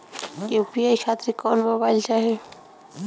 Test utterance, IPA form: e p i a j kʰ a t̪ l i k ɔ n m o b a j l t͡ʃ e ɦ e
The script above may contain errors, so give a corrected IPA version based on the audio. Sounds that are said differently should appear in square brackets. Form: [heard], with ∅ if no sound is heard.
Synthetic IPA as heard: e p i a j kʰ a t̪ [ɾ] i k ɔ n m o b a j l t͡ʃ [a] ɦ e